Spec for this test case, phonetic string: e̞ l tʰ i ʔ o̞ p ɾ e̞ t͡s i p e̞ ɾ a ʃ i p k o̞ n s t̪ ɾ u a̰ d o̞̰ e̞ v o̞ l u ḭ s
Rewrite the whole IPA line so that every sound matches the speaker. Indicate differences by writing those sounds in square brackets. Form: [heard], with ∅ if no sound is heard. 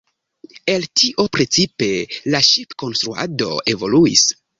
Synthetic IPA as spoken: e̞ l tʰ i ʔ o̞ p ɾ e̞ t͡s i p e̞ [l] a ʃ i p k o̞ n s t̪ ɾ u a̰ d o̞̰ e̞ v o̞ l u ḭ s